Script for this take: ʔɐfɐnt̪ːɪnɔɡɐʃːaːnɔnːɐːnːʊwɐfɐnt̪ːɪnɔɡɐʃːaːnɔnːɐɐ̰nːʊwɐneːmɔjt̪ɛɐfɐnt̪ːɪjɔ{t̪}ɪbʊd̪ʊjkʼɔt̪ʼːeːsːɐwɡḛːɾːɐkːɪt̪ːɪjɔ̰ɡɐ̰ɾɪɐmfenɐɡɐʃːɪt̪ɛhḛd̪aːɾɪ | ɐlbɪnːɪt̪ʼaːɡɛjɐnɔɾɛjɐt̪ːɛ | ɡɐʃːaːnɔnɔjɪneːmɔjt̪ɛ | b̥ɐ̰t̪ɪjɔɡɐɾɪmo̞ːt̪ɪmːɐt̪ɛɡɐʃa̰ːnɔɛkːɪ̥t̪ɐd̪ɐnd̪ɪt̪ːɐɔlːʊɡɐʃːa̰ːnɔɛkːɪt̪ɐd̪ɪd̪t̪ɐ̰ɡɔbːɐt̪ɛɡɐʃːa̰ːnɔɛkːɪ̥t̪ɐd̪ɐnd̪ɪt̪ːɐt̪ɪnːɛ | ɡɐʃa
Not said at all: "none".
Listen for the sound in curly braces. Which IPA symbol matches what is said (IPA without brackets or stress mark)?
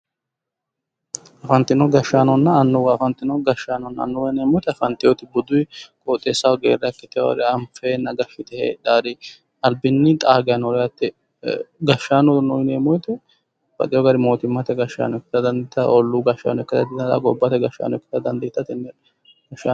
t̪